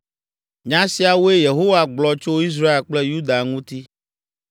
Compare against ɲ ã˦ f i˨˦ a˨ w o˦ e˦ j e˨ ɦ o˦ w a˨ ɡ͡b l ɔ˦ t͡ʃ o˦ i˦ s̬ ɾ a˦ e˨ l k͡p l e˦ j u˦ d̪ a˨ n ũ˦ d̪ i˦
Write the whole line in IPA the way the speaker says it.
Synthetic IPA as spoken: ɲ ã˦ s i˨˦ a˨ w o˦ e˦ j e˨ ɦ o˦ w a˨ ɡ͡b l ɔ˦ t͡ʃ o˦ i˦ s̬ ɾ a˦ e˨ l k͡p l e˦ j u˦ d̪ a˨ ŋ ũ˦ t̪ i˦